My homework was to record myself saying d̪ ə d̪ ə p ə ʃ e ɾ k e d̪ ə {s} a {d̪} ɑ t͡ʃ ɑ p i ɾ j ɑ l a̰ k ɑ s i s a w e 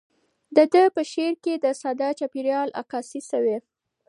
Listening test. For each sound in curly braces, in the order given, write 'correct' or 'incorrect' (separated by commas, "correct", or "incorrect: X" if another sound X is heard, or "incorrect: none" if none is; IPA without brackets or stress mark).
correct, correct